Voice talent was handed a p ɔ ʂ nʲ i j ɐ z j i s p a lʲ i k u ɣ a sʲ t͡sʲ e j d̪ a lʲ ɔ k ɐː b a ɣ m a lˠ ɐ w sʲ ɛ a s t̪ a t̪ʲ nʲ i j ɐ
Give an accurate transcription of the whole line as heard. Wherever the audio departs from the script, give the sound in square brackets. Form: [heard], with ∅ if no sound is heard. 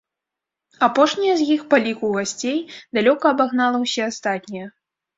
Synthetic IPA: a p ɔ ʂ nʲ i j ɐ z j i [x] p a lʲ i k u ɣ a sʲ t͡sʲ e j d̪ a lʲ ɔ k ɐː b a ɣ [n] a lˠ ɐ w sʲ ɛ a s t̪ a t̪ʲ nʲ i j ɐ